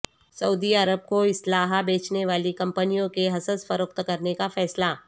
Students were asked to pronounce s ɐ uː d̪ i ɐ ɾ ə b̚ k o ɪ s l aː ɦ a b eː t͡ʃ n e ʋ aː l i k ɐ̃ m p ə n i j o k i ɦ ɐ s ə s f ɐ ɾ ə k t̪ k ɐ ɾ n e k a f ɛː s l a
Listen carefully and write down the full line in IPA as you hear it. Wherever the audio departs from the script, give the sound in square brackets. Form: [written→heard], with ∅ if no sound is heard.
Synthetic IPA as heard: s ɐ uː d̪ i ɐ ɾ ə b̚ k o ɪ s l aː ɦ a b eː t͡ʃ n e ʋ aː l i k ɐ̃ m p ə n i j [o→õ] k [i→e] ɦ ɐ s ə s f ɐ ɾ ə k t̪ k ɐ ɾ n e k a f ɛː s l a